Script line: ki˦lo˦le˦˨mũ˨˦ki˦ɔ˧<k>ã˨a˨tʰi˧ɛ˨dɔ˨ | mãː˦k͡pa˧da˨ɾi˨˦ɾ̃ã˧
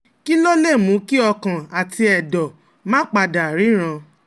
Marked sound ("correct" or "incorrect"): correct